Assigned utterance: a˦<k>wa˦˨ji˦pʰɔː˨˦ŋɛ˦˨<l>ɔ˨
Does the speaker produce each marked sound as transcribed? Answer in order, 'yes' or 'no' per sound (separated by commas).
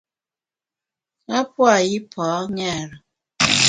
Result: no, no